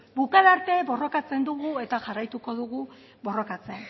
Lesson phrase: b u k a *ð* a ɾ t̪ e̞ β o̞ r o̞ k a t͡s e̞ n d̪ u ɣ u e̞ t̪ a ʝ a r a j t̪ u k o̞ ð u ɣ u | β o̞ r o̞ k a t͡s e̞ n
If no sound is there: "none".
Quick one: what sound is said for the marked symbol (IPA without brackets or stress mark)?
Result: ð